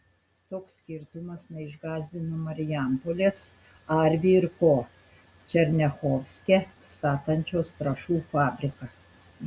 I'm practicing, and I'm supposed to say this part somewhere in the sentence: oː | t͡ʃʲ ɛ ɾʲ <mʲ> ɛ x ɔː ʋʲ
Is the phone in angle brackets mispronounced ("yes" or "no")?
yes